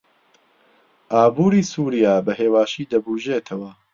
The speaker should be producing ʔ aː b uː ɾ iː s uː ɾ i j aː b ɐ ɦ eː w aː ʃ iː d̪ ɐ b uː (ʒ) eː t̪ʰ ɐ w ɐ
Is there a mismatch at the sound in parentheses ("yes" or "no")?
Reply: no